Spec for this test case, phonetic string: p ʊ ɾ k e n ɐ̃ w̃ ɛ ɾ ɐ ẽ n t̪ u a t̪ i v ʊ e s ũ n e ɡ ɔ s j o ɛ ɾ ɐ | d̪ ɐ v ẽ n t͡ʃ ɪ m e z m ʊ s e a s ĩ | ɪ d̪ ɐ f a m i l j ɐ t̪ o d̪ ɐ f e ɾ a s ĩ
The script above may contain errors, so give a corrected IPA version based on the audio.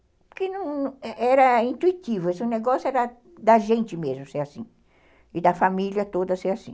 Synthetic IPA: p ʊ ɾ k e n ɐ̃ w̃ ɛ ɾ ɐ ĩ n t̪ u i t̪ i v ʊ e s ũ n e ɡ ɔ s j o ɛ ɾ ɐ | d̪ ɐ ʒ ẽ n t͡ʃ ɪ m e z m ʊ s e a s ĩ | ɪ d̪ ɐ f a m i l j ɐ t̪ o d̪ ɐ s e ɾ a s ĩ